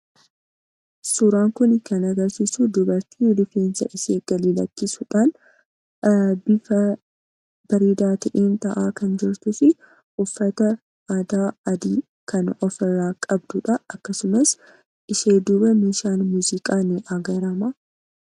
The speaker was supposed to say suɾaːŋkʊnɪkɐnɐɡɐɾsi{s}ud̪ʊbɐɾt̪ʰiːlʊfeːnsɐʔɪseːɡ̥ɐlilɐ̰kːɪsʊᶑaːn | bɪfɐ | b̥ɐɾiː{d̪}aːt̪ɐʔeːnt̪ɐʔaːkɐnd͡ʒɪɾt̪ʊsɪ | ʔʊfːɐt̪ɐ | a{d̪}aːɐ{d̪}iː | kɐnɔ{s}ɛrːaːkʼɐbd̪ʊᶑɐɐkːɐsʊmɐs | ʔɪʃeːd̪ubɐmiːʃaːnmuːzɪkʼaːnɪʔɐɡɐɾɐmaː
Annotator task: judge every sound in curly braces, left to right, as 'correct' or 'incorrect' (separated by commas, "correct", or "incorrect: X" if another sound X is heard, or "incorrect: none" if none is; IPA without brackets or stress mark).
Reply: correct, correct, correct, correct, incorrect: f